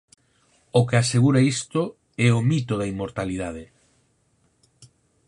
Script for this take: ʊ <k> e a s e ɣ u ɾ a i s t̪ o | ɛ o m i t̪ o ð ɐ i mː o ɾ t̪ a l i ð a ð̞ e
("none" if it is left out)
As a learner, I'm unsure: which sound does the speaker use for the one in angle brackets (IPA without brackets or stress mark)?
k